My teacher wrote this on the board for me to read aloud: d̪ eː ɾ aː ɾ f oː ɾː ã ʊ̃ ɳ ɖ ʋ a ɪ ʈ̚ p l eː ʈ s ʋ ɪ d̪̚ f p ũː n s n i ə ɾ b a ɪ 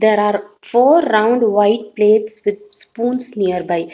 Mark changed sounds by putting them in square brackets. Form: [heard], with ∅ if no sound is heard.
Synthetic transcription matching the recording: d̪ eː ɾ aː ɾ f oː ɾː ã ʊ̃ ɳ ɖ ʋ a ɪ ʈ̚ p l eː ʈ s ʋ ɪ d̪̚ [s] p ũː n s n i ə ɾ b a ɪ